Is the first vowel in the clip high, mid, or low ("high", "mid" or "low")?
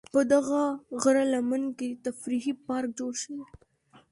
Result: mid